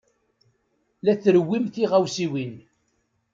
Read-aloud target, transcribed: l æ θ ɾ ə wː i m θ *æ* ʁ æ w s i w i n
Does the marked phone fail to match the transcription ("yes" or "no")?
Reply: yes